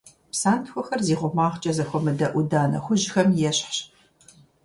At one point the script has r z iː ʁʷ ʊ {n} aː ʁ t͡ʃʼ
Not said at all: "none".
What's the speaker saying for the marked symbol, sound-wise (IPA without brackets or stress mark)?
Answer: m